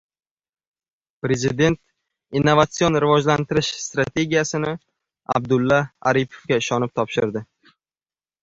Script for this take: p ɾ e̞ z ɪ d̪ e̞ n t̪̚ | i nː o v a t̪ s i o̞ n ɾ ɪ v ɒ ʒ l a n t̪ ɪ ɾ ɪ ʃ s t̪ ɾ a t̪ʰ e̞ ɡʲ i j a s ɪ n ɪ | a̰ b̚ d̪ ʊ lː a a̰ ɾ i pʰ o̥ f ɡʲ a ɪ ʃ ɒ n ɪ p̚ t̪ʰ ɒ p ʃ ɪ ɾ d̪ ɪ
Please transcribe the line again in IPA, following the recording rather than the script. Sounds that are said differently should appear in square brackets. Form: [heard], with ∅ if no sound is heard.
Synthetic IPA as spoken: p ɾ e̞ z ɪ d̪ e̞ n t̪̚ | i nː o v a t̪ s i o̞ n ɾ ɪ v ɒ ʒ l a n t̪ ɪ ɾ ɪ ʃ s t̪ ɾ a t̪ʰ e̞ ɡʲ i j a s ɪ n ɪ | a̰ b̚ d̪ ʊ lː a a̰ ɾ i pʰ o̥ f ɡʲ a ɪ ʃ ɒ n ɪ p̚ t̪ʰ ɒ p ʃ ɪ ɾ d̪ ɪ